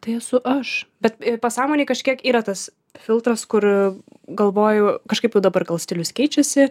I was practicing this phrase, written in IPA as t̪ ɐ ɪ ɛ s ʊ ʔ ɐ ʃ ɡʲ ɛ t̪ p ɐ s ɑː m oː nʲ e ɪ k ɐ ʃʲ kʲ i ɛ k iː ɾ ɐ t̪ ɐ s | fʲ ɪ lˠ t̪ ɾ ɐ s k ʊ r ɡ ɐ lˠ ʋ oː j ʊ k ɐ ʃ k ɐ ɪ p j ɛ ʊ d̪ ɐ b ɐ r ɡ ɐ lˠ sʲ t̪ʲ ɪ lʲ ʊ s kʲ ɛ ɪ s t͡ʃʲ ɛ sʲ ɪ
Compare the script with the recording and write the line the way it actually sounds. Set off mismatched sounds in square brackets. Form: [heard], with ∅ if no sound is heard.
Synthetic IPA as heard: t̪ ɐ ɪ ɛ s ʊ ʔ ɐ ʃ [bʲ] ɛ t̪ p ɐ s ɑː m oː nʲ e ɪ k ɐ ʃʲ kʲ i ɛ k iː ɾ ɐ t̪ ɐ s | fʲ ɪ lˠ t̪ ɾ ɐ s k ʊ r ɡ ɐ lˠ ʋ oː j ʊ k ɐ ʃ k ɐ ɪ p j ɛ ʊ d̪ ɐ b ɐ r ɡ ɐ lˠ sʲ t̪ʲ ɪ lʲ ʊ s kʲ ɛ ɪ [∅] t͡ʃʲ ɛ sʲ ɪ